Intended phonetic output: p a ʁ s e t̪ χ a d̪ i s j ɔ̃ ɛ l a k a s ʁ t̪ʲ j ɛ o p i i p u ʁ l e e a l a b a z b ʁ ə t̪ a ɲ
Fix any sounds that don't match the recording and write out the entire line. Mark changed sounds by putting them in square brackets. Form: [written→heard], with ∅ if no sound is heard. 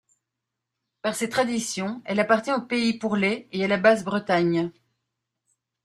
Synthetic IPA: p a ʁ s e t̪ χ a d̪ i s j ɔ̃ ɛ l a [k→p] a [s→∅] ʁ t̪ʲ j [ɛ→ɛ̃] o p [i→e] i p u ʁ l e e a l a b a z b ʁ ə t̪ a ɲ